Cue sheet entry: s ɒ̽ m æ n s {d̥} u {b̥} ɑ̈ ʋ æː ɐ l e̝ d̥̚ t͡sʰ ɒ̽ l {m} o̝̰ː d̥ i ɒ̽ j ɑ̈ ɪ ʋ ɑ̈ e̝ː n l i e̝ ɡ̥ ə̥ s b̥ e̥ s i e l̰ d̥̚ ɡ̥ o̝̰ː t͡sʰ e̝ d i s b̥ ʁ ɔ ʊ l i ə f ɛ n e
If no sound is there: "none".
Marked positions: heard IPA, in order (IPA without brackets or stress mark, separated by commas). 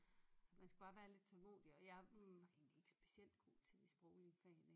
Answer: ɡ̥, b̥, m